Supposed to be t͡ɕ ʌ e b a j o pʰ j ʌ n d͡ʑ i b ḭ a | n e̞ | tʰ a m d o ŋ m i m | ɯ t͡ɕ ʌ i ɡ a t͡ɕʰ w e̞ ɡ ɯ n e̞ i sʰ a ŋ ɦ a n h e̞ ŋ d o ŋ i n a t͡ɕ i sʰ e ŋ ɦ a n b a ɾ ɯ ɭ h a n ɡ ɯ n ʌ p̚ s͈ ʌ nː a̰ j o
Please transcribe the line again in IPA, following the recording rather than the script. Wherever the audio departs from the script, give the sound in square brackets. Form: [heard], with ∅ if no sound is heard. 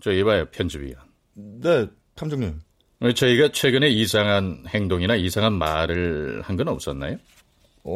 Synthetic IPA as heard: t͡ɕ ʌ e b a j o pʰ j ʌ n d͡ʑ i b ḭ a | n e̞ | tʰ a m [d͡ʑ] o ŋ [ɲ] i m | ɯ t͡ɕ ʌ i ɡ a t͡ɕʰ w e̞ ɡ ɯ n e̞ i sʰ a ŋ ɦ a n h e̞ ŋ d o ŋ i n a [∅] i sʰ [a] ŋ ɦ a n [m] a ɾ ɯ ɭ h a n ɡ ɯ n ʌ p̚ s͈ ʌ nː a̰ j o